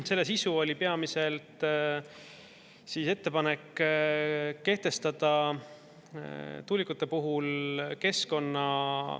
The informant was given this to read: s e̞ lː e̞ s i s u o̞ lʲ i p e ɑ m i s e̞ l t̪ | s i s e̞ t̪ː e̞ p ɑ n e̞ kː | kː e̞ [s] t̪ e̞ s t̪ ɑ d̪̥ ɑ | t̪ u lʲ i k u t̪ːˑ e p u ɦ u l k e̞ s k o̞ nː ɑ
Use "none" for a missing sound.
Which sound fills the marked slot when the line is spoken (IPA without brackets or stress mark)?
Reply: h